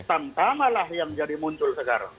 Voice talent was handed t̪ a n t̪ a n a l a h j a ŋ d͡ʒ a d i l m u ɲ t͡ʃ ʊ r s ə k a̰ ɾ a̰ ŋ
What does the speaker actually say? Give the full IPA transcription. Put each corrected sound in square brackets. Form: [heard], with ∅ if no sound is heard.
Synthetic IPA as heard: t̪ a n t̪ a [m] a l a h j a ŋ d͡ʒ a d i [∅] m u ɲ t͡ʃ ʊ [l] s ə k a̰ ɾ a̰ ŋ

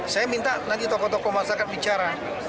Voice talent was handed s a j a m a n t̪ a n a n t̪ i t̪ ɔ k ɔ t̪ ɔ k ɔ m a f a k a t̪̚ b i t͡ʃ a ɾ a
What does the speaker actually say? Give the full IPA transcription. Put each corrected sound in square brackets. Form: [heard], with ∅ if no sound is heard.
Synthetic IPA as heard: s a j a m [i] n t̪ a n a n t̪ i t̪ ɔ k ɔ t̪ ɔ k ɔ m a [s] a k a t̪̚ b i t͡ʃ a ɾ a

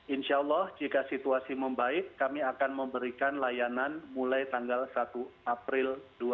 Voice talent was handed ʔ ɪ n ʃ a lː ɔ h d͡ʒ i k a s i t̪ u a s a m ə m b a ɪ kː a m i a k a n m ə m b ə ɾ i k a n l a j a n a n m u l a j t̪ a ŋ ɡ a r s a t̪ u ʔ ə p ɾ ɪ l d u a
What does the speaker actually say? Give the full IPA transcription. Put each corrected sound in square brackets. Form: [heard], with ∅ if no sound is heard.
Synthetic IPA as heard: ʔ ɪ n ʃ a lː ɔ h d͡ʒ i k a s i t̪ u a s [i] m ə m b a ɪ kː a m i a k a n m ə m b ə ɾ i k a n l a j a n a n m u l a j t̪ a ŋ ɡ a [l] s a t̪ u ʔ [a] p ɾ ɪ l d u a

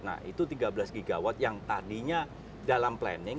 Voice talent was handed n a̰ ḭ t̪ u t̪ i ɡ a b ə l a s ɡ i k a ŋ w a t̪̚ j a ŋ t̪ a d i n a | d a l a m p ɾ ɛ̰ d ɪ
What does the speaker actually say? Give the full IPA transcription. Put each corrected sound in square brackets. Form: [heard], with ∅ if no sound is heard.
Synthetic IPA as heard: n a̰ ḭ t̪ u t̪ i ɡ a b ə l a s ɡ i [ɡ] a [∅] w a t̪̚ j a ŋ t̪ a d i [ɲ] a | d a l a m p [l] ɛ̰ [n] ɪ

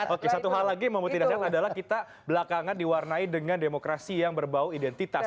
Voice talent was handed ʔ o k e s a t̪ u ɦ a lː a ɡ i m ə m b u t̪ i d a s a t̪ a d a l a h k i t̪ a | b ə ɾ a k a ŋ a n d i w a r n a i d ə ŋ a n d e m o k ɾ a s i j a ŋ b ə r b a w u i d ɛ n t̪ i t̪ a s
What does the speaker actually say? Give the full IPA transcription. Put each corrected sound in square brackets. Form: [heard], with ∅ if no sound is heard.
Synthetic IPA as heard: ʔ o k e s a t̪ u ɦ a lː a ɡ i m ə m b u t̪ i d a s a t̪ a d a l a h k i t̪ a | b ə [l] a k a ŋ a n d i w a r n a i d ə ŋ a n d e m o k ɾ a s i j a ŋ b ə r b a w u i d ɛ n t̪ i t̪ a s

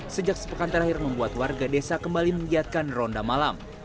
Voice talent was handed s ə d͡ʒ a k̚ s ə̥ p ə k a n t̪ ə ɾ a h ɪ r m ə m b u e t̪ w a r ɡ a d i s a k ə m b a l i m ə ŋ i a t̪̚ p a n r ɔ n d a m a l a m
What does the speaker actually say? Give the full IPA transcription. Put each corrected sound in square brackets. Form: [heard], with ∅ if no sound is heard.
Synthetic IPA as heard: s ə d͡ʒ a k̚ s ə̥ p ə k a n t̪ ə ɾ a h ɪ r m ə m b u [a] t̪ w a r ɡ a d [e] s a k ə m b a l i m ə ŋ i a t̪̚ [k] a n r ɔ n d a m a l a m

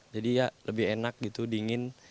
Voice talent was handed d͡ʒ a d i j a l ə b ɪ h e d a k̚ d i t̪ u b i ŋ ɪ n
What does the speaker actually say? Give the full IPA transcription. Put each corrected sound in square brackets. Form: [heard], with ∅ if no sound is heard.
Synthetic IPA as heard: d͡ʒ a d i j a l ə b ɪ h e [n] a k̚ [ɡ] i t̪ u [d] i ŋ ɪ n

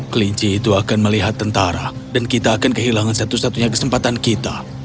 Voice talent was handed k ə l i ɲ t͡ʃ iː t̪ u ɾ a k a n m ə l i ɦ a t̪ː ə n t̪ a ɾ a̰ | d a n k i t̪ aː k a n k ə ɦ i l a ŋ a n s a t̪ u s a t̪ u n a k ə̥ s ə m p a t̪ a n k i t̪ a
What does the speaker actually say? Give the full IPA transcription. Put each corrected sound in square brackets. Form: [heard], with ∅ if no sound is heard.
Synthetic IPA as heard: k ə l i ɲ t͡ʃ iː t̪ u [∅] a k a n m ə l i ɦ a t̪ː ə n t̪ a ɾ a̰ | d a n k i t̪ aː k a n k ə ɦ i l a ŋ a n s a t̪ u s a t̪ u [ɲ] a k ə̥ s ə m p a t̪ a n k i t̪ a

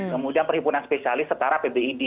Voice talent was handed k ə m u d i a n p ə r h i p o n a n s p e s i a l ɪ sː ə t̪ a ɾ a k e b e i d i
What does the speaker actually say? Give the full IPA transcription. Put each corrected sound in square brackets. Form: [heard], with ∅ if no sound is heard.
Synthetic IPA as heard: k ə m u d i a n p ə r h i p [u] n a n s p e s i a l ɪ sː ə t̪ a ɾ a [p] e b e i d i

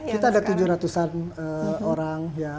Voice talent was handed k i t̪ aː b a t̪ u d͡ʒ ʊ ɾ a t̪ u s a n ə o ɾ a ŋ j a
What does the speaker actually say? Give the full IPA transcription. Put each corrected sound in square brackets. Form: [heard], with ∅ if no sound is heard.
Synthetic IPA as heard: k i t̪ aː [d] a t̪ u d͡ʒ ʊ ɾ a t̪ u s a n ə o ɾ a ŋ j a

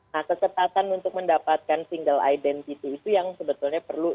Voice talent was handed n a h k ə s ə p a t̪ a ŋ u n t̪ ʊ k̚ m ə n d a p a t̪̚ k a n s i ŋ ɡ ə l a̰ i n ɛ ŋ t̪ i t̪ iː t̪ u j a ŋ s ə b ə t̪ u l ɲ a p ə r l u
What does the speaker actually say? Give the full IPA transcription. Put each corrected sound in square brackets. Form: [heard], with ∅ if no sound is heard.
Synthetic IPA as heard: n a h k ə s ə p a t̪ a [n] u n t̪ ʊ k̚ m ə n d a p a t̪̚ k a n s i ŋ ɡ ə l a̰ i [d] ɛ [n] t̪ i t̪ iː t̪ u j a ŋ s ə b ə t̪ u l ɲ a p ə r l u

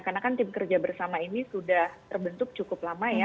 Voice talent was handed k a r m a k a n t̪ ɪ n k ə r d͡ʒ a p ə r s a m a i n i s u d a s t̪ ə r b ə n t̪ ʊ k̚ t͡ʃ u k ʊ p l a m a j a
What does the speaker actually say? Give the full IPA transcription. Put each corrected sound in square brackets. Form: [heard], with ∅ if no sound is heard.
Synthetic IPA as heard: k a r [n] a k a n t̪ ɪ [m] k ə r d͡ʒ a [b] ə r s a m a i n i s u d a [h] t̪ ə r b ə n t̪ ʊ k̚ t͡ʃ u k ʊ p l a m a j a

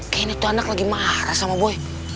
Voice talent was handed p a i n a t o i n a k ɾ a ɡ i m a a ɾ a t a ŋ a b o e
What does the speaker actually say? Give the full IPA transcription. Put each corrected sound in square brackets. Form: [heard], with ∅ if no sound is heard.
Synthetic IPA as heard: [k] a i n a t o [a] n a k [l] a ɡ i m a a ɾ a [s] a [m] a b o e

